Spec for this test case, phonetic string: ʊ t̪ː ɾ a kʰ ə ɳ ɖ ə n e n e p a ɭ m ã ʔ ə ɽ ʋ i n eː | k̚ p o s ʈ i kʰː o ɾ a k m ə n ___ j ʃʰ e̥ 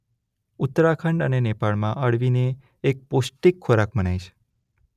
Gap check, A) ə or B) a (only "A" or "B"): B